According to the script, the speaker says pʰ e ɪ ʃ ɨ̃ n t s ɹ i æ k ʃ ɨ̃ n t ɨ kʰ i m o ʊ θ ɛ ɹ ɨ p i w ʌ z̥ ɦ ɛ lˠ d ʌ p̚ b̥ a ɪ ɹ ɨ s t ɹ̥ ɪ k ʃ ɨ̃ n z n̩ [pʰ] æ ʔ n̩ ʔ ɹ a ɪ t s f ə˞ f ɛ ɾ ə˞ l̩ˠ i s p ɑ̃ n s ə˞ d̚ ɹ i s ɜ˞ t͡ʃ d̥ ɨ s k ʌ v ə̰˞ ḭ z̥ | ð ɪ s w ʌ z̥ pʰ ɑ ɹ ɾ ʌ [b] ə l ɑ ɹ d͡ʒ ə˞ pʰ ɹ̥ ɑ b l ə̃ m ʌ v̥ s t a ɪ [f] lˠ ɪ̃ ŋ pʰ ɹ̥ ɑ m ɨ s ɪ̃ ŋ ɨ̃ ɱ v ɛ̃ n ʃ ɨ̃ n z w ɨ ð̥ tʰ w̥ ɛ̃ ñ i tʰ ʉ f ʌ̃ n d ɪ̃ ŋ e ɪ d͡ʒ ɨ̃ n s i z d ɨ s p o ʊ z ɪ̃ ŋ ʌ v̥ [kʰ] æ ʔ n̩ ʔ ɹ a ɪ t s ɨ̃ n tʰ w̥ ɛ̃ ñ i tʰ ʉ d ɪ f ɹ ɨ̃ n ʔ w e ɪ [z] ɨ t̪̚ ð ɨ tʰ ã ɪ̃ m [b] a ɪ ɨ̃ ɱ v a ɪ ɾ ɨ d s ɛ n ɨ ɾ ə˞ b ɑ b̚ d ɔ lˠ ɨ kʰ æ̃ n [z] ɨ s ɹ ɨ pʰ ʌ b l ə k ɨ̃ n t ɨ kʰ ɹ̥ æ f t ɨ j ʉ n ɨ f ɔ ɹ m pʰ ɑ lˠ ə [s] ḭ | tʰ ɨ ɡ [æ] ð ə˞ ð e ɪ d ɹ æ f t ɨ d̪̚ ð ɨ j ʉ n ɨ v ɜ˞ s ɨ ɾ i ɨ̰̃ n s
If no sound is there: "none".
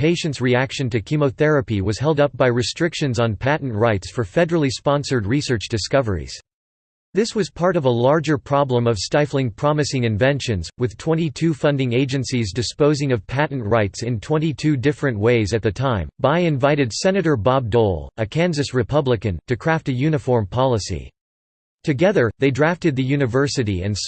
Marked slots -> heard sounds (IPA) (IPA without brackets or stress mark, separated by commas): pʰ, v, f, pʰ, z, b, z, s, ɛ